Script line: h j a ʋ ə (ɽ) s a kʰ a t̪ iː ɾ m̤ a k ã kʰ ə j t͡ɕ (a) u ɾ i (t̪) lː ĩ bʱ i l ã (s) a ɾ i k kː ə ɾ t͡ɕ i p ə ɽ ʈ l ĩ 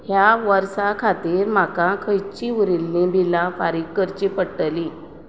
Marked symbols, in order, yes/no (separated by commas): no, no, no, no